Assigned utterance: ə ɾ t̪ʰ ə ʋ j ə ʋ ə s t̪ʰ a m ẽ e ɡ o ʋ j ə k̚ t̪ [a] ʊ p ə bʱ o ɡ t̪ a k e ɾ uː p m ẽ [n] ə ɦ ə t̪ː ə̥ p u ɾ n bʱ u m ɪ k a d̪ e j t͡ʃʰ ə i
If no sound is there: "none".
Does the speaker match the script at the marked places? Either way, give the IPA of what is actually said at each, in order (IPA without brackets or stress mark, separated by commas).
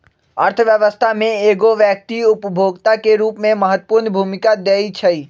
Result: i, m